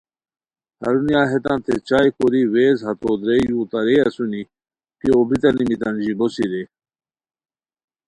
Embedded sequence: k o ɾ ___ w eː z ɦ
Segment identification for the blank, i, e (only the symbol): i